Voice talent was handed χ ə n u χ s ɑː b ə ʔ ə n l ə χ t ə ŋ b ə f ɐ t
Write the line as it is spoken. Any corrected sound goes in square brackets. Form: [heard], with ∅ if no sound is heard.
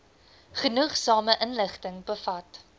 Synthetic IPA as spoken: χ ə n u χ s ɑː [m] ə ʔ ə n l ə χ t ə ŋ b ə f ɐ t